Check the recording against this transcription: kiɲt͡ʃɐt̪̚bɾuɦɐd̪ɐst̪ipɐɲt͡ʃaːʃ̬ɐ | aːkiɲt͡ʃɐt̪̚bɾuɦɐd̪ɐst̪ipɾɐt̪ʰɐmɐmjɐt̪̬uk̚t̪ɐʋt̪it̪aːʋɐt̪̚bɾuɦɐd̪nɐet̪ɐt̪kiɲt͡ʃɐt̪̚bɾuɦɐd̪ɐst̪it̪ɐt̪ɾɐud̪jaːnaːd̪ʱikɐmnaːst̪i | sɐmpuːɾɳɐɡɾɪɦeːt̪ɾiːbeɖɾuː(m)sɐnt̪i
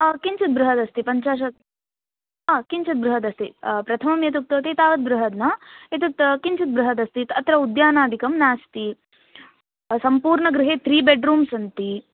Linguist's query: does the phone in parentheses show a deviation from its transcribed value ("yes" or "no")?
no